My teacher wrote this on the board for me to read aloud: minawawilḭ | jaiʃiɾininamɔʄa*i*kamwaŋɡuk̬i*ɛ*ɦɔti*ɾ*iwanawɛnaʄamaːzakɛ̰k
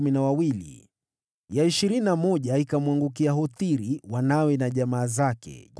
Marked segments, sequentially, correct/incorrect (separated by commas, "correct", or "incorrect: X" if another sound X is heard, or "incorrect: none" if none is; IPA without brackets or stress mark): correct, incorrect: a, correct